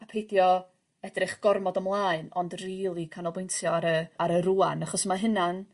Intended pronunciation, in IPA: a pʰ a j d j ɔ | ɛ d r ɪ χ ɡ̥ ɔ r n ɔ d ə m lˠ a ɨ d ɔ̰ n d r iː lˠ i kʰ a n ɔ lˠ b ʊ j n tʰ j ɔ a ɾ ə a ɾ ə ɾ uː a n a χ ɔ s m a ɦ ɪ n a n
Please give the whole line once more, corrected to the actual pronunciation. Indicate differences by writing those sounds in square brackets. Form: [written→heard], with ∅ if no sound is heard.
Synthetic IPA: a pʰ [a→e] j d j ɔ | ɛ d r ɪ χ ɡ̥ ɔ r [n→m] ɔ d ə m lˠ a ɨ [d→n] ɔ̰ n d r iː lˠ i kʰ a n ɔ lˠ b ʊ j n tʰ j ɔ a ɾ ə a ɾ ə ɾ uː a n a χ ɔ s m a ɦ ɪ n a n